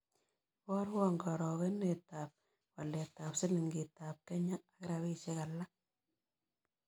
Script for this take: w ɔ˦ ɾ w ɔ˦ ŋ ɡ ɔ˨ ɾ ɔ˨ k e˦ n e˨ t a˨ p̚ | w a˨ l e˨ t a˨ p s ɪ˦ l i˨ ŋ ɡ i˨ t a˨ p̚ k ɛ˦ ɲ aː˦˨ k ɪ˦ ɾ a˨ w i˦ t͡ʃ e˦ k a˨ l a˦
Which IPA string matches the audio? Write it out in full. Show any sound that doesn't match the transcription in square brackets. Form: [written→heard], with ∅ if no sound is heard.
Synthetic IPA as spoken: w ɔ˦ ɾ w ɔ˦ ŋ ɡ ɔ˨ ɾ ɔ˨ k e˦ n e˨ t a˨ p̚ | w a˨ l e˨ t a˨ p s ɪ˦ l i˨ ŋ ɡ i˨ t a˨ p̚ k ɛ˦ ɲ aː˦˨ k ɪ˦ ɾ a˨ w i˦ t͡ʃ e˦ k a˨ l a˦